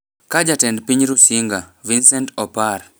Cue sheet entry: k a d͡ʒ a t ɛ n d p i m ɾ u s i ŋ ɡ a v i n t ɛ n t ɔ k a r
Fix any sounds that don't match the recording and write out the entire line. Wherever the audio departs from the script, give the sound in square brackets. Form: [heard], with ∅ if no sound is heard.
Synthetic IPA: k a d͡ʒ a t ɛ n d p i [ɲ] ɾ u s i ŋ ɡ a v i n [s] ɛ n t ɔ [p] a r